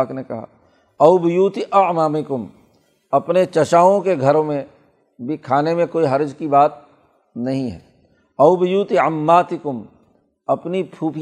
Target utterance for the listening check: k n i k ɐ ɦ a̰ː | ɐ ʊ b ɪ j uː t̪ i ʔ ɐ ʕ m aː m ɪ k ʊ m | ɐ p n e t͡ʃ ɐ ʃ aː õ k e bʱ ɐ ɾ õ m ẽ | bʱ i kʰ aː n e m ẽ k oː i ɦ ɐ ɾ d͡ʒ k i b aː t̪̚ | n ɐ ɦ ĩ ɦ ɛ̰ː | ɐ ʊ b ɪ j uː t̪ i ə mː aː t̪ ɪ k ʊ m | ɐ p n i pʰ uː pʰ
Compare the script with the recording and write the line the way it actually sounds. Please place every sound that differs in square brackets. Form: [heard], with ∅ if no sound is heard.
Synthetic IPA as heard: k n [e] k ɐ ɦ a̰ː | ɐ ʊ b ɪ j uː t̪ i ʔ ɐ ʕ m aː m ɪ k ʊ m | ɐ p n e t͡ʃ ɐ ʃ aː õ k e [ɡʱ] ɐ ɾ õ m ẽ | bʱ i kʰ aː n e m ẽ k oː i ɦ ɐ ɾ d͡ʒ k i b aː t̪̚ | n ɐ ɦ ĩ ɦ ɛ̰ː | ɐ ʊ b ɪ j uː t̪ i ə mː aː t̪ ɪ k ʊ m | ɐ p n i pʰ uː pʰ